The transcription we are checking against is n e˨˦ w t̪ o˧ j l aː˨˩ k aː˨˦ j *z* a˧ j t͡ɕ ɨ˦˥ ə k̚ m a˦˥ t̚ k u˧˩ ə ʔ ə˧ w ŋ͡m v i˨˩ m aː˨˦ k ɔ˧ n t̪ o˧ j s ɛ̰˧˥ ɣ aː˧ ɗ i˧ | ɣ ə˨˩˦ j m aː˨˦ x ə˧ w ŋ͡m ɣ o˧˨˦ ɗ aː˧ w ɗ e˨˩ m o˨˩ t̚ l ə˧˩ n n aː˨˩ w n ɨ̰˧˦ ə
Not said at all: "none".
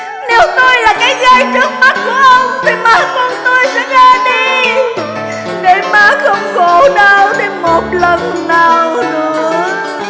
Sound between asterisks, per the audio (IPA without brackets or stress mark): ɣ